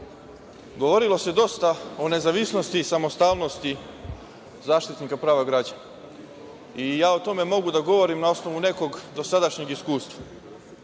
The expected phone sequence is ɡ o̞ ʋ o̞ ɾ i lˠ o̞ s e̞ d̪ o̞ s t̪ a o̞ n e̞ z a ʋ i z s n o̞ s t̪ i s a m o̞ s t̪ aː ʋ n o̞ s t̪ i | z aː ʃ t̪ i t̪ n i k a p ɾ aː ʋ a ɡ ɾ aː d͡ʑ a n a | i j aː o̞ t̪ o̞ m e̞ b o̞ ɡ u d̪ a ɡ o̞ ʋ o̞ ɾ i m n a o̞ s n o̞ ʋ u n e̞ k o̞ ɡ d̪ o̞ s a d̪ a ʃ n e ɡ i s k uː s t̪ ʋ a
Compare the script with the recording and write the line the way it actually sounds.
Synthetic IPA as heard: ɡ o̞ ʋ o̞ ɾ i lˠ o̞ s e̞ d̪ o̞ s t̪ a o̞ n e̞ z a ʋ i s n o̞ s t̪ i s a m o̞ s t̪ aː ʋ n o̞ s t̪ i | z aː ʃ t̪ i t̪ n i k a p ɾ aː ʋ a ɡ ɾ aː d͡ʑ a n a | i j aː o̞ t̪ o̞ m e̞ m o̞ ɡ u d̪ a ɡ o̞ ʋ o̞ ɾ i m n a o̞ s n o̞ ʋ u n e̞ k o̞ ɡ d̪ o̞ s a d̪ a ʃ ɲ e ɡ i s k uː s t̪ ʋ a

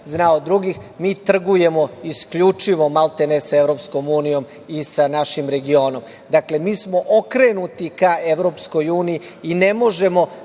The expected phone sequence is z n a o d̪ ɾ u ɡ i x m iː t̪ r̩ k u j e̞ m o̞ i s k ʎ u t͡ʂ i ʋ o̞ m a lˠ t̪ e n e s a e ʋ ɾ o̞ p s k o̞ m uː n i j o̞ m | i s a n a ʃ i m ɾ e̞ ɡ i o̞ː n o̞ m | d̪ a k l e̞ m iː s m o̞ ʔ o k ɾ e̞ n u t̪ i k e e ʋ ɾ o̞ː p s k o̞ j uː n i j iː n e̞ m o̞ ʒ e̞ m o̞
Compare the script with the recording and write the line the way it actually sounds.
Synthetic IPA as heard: z n a o d̪ ɾ u ɡ i x m iː t̪ r̩ ɡ u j e̞ m o̞ i s k ʎ u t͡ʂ i ʋ o̞ m a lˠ t̪ e n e s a e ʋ ɾ o̞ p s k o̞ m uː n i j o̞ m | i s a n a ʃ i m ɾ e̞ ɡ i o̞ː n o̞ m | d̪ a k l e̞ m iː s m o̞ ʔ o k ɾ e̞ n u t̪ i k a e ʋ ɾ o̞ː p s k o̞ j uː n i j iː n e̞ m o̞ ʒ e̞ m o̞

